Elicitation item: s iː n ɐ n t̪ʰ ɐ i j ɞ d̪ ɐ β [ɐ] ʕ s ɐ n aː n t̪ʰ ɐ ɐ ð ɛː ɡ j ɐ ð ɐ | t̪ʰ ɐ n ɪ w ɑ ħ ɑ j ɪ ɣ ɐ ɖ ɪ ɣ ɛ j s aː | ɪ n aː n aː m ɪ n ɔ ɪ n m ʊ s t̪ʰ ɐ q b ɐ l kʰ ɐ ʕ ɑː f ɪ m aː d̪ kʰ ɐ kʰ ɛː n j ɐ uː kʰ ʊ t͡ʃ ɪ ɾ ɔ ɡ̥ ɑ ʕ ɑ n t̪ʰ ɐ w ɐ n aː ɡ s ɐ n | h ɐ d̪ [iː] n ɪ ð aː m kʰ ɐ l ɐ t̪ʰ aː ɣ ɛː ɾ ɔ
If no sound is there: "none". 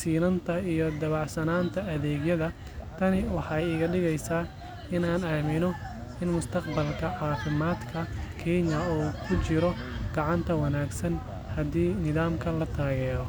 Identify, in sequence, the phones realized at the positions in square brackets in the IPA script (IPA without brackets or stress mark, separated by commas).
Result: ɑ, iː